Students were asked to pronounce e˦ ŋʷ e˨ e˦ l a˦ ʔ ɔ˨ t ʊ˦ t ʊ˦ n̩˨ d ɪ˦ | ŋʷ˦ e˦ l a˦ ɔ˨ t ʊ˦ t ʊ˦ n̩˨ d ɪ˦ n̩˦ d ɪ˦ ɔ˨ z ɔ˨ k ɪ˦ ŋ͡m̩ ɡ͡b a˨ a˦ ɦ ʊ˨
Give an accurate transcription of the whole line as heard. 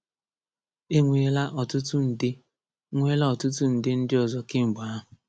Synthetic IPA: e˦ ŋʷ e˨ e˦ l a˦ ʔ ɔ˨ t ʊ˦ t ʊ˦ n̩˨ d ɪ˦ | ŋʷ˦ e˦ l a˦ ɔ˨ t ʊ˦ t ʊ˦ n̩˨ d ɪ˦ n̩˦ d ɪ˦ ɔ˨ z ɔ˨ k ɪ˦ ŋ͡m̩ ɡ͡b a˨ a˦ ɦ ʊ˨